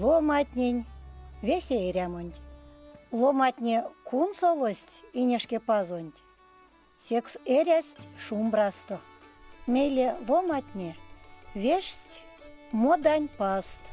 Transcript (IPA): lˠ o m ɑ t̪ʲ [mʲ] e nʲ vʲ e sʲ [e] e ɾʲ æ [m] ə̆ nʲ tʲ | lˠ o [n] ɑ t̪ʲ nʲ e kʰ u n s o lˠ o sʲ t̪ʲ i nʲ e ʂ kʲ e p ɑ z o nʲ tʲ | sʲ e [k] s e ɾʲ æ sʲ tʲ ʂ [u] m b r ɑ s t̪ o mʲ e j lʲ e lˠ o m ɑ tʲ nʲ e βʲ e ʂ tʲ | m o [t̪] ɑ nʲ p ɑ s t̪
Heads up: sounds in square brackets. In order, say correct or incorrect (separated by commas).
incorrect, correct, correct, incorrect, correct, correct, incorrect